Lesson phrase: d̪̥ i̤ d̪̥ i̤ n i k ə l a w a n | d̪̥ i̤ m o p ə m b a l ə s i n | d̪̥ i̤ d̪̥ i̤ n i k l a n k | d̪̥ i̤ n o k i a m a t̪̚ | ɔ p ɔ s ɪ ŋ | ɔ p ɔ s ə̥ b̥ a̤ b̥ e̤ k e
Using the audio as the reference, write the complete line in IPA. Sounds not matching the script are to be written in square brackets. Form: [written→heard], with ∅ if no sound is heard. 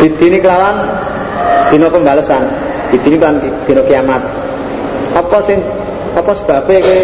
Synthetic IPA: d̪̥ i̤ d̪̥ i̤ n i k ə l a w a n | d̪̥ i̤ [m→n] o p ə m b a l ə s [i→a] n | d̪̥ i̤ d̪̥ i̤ n i k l a n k | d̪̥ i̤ n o k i a m a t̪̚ | ɔ p ɔ s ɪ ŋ | ɔ p ɔ s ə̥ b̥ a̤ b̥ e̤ k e